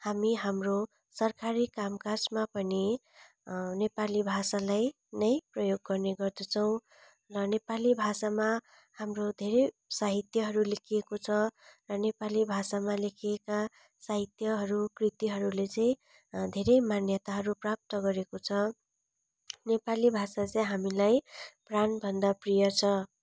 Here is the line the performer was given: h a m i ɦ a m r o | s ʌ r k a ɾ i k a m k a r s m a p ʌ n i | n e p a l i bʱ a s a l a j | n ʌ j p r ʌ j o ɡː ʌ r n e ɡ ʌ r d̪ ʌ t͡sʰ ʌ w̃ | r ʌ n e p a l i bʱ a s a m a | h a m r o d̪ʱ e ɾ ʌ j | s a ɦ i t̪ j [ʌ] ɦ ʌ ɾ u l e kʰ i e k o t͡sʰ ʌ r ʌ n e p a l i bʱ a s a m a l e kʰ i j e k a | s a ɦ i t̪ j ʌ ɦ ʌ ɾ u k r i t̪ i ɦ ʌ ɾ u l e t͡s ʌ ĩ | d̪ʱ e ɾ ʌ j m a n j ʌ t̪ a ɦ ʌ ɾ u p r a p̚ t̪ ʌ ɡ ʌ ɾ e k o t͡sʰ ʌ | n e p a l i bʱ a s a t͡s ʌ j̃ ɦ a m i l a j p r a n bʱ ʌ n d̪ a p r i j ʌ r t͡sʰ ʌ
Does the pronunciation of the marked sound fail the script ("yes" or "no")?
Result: no